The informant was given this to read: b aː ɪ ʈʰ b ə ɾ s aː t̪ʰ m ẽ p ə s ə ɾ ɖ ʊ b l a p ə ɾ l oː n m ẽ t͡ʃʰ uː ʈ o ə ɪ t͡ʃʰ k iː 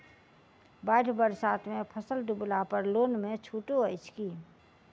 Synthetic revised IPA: b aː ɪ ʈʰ b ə ɾ s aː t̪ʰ m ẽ pʰ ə s ə l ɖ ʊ b l a p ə ɾ l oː n m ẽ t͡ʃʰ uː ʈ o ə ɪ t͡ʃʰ k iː